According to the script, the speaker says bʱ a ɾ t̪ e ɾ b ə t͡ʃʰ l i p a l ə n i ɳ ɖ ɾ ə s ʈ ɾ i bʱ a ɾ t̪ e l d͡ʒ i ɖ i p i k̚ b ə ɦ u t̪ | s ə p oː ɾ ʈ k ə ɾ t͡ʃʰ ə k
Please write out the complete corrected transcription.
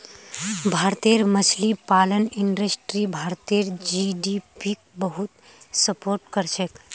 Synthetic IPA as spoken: bʱ a ɾ t̪ e ɾ m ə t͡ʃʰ l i p a l ə n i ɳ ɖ ɾ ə s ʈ ɾ i bʱ a ɾ t̪ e ɾ d͡ʒ i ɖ i p i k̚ b ə ɦ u t̪ | s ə p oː ɾ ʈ k ə ɾ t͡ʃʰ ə k